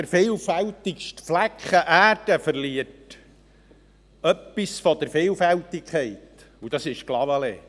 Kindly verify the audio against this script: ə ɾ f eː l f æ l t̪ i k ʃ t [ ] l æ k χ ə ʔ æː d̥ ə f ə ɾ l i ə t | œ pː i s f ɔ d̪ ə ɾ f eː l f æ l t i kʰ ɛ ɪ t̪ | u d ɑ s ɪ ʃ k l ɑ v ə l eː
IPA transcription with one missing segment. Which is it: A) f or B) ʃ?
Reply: A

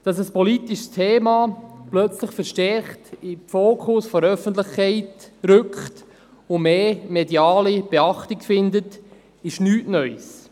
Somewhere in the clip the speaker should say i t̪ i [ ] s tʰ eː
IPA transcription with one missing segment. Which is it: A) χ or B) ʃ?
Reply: B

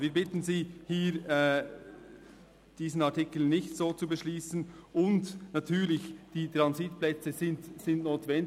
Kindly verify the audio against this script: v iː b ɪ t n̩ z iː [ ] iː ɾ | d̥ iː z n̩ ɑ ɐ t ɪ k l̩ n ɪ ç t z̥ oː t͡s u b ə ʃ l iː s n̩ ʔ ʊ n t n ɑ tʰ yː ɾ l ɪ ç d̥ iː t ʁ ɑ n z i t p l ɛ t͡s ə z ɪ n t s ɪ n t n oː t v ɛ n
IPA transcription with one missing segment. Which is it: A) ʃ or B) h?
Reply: B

